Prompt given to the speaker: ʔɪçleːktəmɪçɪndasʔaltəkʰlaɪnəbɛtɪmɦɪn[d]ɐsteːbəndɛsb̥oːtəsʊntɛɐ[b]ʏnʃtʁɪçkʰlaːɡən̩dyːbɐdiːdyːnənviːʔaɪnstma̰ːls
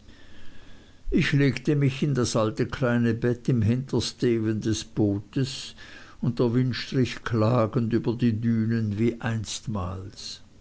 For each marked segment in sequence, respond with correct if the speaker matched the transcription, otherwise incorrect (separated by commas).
incorrect, incorrect